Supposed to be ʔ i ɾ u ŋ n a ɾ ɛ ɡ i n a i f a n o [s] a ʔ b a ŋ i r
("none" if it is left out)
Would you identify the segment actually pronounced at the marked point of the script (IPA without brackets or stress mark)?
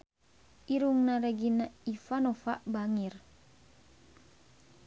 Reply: f